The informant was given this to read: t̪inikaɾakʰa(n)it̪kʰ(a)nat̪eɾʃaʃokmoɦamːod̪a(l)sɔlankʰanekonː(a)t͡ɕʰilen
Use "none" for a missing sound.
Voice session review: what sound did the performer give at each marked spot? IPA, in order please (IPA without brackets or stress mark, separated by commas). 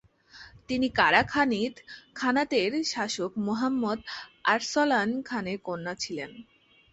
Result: n, a, ɾ, a